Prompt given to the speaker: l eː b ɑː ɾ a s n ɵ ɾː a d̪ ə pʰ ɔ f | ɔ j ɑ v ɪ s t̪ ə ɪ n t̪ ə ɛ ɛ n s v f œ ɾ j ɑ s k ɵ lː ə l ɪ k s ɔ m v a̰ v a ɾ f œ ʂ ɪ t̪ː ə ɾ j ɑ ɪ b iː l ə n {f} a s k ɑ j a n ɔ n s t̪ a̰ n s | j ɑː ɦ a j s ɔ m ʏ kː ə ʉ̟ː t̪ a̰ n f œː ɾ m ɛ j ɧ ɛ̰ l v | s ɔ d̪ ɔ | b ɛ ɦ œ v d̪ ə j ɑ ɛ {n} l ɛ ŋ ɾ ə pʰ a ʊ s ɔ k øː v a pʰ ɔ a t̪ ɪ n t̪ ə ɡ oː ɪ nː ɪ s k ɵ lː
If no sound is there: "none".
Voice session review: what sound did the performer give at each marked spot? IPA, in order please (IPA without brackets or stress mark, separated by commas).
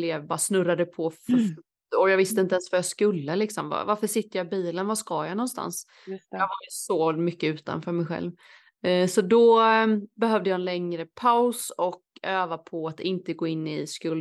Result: v, n